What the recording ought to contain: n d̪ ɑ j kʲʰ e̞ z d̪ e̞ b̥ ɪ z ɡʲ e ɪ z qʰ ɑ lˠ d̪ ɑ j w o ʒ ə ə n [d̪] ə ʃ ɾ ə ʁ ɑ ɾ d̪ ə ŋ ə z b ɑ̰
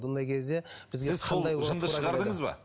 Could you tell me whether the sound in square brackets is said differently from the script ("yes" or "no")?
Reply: no